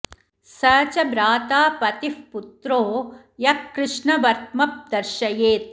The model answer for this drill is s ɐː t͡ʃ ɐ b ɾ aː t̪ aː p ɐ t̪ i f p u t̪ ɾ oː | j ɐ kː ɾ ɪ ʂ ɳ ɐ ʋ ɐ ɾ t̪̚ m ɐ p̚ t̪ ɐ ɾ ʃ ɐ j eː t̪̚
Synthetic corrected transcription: s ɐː t͡ʃ ɐ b ɾ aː t̪ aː p ɐ t̪ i f p u t̪ ɾ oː | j ɐ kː ɾ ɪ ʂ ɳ ɐ ʋ ɐ ɾ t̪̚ m ɐ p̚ d̪ ɐ ɾ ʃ ɐ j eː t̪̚